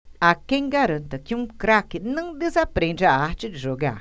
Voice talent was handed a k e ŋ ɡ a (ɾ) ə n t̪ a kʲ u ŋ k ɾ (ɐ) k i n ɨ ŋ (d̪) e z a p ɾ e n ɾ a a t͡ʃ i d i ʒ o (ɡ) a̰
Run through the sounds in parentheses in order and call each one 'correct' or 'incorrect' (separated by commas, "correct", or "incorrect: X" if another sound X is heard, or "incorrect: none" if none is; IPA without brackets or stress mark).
correct, incorrect: a, correct, correct